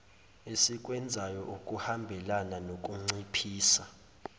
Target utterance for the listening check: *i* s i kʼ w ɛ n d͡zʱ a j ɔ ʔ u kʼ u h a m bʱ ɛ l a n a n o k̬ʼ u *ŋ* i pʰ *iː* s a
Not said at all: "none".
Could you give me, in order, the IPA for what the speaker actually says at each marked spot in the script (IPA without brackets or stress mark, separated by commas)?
e, ŋ͡ǀ, iː